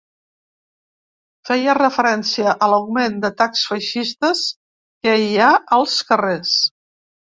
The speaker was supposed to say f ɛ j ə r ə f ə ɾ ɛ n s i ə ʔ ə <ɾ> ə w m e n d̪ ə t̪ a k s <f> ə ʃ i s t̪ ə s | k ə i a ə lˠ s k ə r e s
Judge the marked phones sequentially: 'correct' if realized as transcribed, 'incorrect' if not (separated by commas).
incorrect, correct